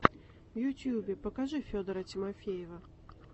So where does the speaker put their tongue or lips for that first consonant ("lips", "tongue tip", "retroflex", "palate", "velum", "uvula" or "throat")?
lips